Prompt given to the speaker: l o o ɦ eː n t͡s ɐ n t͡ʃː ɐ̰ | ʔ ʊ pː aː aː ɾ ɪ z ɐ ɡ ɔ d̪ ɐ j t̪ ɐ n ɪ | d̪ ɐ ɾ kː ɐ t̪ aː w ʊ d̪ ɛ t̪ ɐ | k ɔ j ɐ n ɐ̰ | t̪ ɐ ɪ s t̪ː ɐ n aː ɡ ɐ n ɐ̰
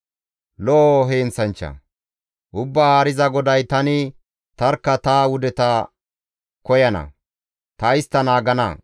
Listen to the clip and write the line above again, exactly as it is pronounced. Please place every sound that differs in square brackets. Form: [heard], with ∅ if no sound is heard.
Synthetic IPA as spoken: l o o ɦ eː n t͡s ɐ n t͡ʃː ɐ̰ | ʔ ʊ [bː] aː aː ɾ ɪ z ɐ ɡ ɔ d̪ ɐ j t̪ ɐ n ɪ | [t̪] ɐ ɾ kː ɐ t̪ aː w ʊ d̪ ɛ t̪ ɐ | k ɔ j ɐ n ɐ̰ | t̪ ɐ ɪ s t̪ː ɐ n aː ɡ ɐ n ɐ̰